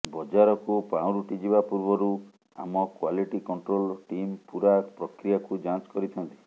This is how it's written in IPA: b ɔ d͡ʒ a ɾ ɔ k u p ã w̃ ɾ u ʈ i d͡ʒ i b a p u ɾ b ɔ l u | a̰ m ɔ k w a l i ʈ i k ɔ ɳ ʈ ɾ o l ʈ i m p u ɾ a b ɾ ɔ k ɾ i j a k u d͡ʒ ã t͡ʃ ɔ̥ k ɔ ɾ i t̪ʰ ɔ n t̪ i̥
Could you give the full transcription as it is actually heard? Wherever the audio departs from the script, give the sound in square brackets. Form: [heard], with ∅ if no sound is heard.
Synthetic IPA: b ɔ d͡ʒ a ɾ ɔ k u p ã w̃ ɾ u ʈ i d͡ʒ i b a p u ɾ b ɔ [ɾ] u | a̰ m ɔ k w a l i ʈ i k ɔ ɳ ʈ ɾ o l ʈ i m p u ɾ a [p] ɾ ɔ k ɾ i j a k u d͡ʒ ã t͡ʃ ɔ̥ k ɔ ɾ i t̪ʰ ɔ n t̪ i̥